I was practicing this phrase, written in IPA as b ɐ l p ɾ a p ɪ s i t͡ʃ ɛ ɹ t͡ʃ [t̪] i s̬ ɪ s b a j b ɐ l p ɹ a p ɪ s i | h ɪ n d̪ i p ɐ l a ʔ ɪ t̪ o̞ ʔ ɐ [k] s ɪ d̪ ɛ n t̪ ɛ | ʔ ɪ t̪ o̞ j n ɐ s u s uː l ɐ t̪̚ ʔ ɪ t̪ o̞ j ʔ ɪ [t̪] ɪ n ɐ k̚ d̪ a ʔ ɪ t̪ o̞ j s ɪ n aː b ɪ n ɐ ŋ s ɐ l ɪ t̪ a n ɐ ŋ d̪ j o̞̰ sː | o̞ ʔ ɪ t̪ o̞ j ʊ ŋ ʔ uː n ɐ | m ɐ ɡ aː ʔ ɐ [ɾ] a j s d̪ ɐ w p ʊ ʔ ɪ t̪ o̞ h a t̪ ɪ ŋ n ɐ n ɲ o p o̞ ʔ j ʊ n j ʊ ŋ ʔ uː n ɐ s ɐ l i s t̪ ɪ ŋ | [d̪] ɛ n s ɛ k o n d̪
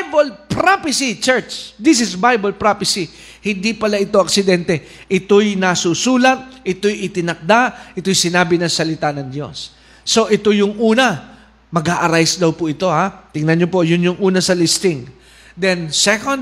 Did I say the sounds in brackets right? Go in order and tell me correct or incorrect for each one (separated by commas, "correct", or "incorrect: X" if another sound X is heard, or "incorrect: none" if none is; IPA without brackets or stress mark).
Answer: incorrect: d̪, correct, correct, correct, correct